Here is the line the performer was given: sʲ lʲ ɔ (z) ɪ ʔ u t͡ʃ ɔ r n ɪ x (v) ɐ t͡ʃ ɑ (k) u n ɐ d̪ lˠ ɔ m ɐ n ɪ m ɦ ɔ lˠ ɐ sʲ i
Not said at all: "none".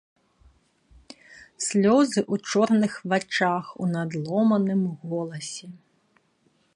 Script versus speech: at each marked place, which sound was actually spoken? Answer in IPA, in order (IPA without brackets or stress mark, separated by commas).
z, ʋ, x